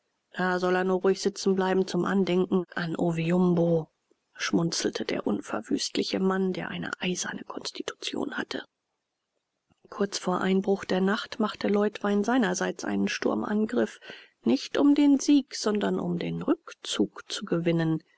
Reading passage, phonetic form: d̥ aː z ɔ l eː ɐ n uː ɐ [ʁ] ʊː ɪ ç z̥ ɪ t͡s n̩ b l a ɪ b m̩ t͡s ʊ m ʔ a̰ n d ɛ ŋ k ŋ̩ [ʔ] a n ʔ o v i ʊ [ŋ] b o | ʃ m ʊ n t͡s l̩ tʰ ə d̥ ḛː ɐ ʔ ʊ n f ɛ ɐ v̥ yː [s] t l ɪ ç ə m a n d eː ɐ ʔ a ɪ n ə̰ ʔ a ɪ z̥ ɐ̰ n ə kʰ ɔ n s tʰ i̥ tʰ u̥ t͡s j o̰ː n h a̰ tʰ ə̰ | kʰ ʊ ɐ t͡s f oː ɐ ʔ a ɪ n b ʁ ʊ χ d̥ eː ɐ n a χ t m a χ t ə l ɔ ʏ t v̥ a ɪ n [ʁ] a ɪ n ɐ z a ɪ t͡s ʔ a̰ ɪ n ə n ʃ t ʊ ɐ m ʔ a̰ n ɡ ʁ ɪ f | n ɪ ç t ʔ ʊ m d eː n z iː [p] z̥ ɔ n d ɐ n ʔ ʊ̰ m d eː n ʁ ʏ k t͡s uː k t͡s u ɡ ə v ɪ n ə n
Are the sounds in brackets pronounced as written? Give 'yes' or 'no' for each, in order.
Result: yes, yes, no, yes, no, no

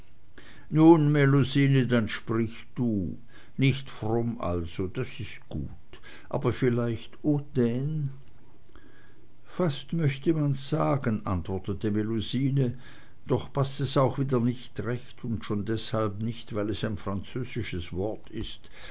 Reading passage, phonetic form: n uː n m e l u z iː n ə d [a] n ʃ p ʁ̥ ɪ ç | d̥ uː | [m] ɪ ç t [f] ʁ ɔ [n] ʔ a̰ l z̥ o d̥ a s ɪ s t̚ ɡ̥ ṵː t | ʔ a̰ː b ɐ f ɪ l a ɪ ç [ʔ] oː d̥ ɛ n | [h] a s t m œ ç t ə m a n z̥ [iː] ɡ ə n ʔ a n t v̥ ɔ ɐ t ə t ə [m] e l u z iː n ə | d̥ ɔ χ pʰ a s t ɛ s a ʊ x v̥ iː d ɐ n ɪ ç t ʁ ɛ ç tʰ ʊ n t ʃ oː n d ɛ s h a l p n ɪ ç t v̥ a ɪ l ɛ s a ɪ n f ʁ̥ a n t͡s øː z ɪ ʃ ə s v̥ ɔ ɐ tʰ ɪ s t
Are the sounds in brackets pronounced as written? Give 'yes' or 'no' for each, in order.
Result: yes, no, yes, no, no, no, no, yes

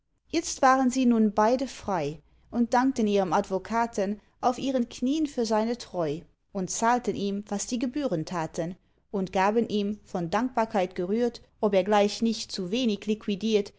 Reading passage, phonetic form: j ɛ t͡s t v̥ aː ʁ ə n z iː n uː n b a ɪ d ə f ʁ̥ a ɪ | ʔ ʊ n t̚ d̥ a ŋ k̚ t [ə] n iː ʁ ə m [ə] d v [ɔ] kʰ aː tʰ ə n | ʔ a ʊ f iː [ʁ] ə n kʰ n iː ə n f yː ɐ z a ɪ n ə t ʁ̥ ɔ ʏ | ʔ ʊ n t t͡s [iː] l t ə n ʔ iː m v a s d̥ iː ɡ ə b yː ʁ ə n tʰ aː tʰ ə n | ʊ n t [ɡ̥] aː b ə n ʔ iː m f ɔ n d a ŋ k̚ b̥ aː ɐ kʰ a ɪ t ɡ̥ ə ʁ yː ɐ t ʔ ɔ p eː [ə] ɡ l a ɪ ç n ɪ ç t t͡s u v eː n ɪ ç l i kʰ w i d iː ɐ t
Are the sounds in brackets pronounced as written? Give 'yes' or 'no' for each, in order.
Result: yes, no, no, yes, no, yes, no

